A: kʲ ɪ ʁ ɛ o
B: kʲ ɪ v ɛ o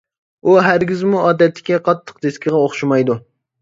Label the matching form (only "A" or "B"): A